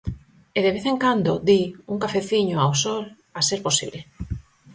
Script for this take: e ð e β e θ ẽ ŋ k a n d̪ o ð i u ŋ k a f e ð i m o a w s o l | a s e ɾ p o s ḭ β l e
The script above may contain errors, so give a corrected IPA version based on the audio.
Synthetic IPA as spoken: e ð e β e θ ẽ ŋ k a n d̪ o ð i u ŋ k a f e θ i ɲ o a w s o l | a s e ɾ p o s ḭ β l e